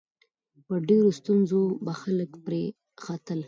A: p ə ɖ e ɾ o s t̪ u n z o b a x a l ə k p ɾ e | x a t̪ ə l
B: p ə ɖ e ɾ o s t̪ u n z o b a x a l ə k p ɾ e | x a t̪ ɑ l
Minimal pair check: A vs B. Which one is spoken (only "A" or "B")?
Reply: A